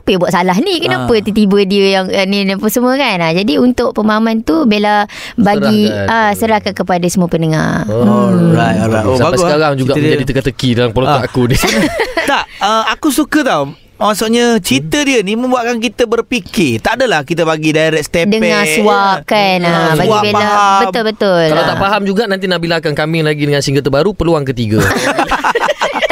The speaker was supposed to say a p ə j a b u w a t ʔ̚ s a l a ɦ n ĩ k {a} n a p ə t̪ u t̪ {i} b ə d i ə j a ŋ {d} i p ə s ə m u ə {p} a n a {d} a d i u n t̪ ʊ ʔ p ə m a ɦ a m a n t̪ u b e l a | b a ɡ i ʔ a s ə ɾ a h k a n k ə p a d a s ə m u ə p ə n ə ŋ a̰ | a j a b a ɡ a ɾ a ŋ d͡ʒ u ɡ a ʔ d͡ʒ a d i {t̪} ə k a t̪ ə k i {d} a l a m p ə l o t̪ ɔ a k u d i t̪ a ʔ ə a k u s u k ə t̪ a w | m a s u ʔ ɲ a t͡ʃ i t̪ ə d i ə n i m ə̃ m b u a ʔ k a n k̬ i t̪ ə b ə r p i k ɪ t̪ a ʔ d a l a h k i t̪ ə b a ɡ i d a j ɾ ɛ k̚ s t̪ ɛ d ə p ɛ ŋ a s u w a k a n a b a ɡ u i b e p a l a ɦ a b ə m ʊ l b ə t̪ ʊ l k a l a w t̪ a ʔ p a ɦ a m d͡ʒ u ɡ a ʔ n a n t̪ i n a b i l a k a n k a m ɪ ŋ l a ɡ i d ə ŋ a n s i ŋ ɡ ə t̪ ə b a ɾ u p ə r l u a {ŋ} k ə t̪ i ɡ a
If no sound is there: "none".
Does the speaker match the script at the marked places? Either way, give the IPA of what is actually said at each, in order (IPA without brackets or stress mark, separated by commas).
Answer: ə, i, n, k, d͡ʒ, t̪, d, ŋ